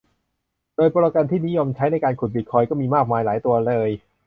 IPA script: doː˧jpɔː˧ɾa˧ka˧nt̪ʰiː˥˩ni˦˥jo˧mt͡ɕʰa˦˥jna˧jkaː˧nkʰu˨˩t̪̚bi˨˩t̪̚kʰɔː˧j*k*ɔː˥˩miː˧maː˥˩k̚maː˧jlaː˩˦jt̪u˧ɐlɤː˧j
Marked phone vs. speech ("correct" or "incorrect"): correct